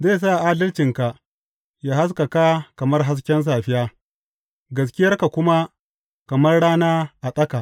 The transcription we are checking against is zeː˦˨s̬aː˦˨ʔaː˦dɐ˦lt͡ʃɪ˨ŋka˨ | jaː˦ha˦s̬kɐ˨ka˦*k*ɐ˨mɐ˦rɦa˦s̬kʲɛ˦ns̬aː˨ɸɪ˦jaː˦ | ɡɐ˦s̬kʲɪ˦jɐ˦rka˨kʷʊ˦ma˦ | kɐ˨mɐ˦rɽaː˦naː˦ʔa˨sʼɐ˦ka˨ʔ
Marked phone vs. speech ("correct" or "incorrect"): correct